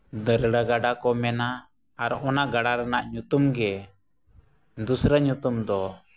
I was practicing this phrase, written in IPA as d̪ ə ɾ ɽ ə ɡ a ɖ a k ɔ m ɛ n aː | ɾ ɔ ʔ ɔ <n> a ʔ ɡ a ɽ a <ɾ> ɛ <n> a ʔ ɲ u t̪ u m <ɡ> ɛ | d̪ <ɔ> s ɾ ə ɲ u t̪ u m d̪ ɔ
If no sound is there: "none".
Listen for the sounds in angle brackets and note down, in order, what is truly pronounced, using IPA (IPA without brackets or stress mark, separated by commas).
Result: n, ɾ, n, ɡ, u